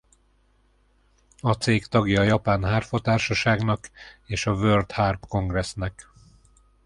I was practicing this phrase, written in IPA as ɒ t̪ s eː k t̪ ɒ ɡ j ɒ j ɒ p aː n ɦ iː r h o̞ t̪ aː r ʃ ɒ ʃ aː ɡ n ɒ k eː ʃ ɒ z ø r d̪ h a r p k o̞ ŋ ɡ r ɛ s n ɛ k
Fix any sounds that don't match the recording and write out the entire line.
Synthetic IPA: ɒ t̪ s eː k t̪ ɒ ɡ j ɒ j ɒ p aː n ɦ aː r f o̞ t̪ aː r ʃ ɒ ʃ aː ɡ n ɒ k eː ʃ ɒ v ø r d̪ h a r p k o̞ ŋ ɡ r ɛ s n ɛ k